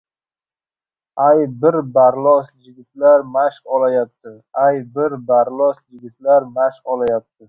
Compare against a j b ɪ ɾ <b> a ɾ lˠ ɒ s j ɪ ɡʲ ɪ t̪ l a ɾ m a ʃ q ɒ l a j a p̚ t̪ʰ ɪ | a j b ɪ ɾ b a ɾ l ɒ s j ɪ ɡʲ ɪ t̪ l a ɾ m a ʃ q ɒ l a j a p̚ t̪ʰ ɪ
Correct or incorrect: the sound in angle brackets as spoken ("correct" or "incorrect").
correct